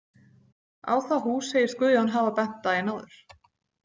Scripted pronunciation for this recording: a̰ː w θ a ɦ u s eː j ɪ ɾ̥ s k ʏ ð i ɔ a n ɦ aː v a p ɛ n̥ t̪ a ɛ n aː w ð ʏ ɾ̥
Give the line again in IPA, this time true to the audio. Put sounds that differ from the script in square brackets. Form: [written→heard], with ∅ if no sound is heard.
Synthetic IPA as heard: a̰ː w θ a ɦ u s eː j ɪ ɾ̥ s k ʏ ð [i→j] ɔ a n ɦ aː v a p ɛ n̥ t̪ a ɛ n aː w ð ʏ ɾ̥

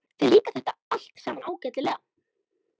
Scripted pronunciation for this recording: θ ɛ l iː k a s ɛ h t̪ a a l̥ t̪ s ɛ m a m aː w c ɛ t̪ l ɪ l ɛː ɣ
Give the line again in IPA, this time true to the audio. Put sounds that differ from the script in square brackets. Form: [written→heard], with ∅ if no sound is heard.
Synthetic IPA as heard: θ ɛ l iː k a [s→θ] ɛ h t̪ a a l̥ t̪ s ɛ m a [m→n] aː w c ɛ t̪ l ɪ l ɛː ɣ

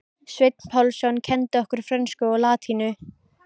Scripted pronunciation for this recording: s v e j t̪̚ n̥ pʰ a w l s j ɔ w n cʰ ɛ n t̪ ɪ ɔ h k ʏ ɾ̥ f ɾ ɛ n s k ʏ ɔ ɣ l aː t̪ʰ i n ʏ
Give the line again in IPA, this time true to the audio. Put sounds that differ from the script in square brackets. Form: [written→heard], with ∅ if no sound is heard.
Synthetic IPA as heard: s v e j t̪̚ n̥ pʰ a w l s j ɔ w n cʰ ɛ n t̪ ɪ ɔ h k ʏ ɾ̥ f ɾ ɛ n s k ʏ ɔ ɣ l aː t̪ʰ i n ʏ

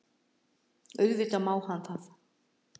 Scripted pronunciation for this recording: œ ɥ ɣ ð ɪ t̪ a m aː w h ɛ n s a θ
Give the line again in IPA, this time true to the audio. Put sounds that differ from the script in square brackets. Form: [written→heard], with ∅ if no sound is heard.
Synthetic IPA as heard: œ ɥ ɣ [ð→v] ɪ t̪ a m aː w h [ɛ→a] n [s→θ] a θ

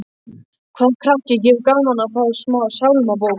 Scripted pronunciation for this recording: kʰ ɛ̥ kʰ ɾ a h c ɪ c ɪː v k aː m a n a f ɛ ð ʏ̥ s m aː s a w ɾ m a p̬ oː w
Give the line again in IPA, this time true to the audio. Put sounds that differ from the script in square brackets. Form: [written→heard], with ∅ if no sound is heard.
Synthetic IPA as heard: kʰ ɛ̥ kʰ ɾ a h c ɪ c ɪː v k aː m a n a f [ɛ→a] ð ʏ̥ s m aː s a w [ɾ→l] m a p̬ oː w

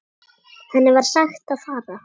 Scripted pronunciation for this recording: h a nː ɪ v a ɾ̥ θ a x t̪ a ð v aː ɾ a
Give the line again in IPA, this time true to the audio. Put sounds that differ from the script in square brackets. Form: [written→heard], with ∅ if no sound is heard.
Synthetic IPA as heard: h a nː ɪ v a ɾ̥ [θ→s] a x t̪ a ð [v→f] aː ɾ a

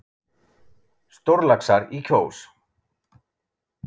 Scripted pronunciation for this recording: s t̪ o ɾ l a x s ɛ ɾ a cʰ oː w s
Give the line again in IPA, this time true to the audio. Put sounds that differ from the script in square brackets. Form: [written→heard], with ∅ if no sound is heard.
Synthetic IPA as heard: s t̪ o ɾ l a [x→k] s [ɛ→a] ɾ [a→i] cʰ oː w s

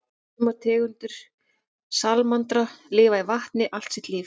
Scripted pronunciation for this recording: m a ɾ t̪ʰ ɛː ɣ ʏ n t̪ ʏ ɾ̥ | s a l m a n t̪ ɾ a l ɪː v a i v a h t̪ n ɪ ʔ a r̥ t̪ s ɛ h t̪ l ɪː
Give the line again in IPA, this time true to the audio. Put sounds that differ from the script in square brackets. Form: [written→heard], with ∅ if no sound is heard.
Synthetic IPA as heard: m a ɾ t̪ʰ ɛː ɣ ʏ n t̪ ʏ ɾ̥ | s a l m a n t̪ ɾ a l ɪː v a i v a h t̪ n ɪ ʔ a [r̥→l̥] t̪ s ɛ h t̪ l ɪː

